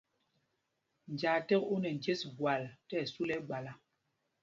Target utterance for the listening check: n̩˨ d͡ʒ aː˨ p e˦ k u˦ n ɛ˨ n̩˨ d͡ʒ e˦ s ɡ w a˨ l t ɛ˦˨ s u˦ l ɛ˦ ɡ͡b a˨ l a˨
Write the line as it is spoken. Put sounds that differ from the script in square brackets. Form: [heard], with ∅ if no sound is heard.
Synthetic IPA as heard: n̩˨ d͡ʒ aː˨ [t] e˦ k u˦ n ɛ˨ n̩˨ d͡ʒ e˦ s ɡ w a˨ l t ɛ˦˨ s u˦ l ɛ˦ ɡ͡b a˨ l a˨